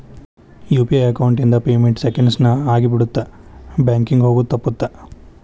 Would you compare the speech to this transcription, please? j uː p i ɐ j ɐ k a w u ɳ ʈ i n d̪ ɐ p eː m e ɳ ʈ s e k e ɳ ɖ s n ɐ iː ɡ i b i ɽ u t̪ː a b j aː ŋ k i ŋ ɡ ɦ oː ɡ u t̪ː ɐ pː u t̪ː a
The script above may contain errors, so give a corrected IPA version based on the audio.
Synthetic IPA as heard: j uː p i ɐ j ɐ k ɐ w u ɳ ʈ i n d̪ ɐ p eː m e ɳ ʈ s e k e ɳ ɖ s n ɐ aː ɡ i b i ɽ u t̪ː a b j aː ŋ k i ŋ ɡ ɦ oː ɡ u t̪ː ɐ pː u t̪ː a